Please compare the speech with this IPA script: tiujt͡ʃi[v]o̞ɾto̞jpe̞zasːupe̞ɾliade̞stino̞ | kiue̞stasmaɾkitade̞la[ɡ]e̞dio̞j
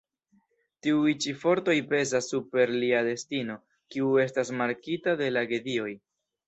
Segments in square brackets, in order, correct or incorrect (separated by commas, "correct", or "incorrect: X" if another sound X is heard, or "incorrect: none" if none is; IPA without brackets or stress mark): incorrect: f, correct